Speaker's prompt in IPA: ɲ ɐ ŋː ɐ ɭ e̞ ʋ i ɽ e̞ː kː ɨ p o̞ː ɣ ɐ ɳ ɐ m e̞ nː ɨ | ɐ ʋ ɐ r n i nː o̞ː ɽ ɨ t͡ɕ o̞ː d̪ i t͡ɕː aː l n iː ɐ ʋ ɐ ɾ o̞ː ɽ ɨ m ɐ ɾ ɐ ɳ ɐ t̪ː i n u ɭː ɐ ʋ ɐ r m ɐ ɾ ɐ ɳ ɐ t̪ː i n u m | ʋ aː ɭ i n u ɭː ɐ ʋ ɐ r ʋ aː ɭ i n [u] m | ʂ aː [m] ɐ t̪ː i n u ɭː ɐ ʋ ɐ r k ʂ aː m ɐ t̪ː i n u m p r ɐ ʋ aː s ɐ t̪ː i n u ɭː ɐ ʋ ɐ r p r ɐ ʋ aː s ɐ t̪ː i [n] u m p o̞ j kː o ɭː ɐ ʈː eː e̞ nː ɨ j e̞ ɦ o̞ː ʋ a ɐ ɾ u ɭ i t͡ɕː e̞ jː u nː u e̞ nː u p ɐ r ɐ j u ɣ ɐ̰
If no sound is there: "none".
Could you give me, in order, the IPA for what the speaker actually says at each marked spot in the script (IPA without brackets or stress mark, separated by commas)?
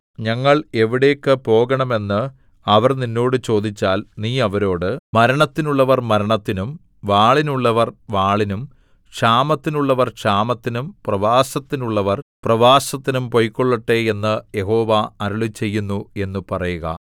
u, m, n